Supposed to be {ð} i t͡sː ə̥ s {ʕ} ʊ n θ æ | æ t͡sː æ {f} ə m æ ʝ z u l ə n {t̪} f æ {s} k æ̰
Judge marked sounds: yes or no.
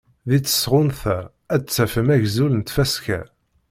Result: yes, no, yes, yes, yes

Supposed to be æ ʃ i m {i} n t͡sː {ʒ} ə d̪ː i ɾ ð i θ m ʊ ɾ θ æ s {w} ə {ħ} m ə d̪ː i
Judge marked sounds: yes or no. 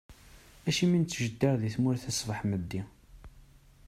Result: yes, yes, no, yes

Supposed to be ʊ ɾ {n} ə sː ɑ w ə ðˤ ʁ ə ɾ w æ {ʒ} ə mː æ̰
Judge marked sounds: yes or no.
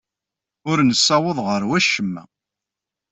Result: yes, no

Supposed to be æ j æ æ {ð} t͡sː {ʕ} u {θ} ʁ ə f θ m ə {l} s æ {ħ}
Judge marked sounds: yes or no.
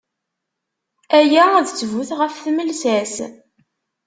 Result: yes, no, yes, yes, no

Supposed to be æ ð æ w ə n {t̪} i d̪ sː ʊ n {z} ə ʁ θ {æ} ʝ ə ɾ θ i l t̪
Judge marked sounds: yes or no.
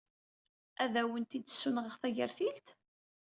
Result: yes, no, yes

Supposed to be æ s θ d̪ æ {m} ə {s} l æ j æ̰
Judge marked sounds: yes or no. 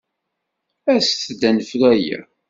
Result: no, no

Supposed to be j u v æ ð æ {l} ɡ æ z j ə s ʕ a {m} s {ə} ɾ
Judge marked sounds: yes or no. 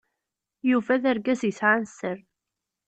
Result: no, no, yes

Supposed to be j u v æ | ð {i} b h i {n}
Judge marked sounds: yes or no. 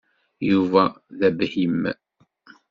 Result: no, no

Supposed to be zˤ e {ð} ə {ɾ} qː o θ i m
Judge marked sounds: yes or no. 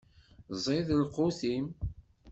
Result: yes, no

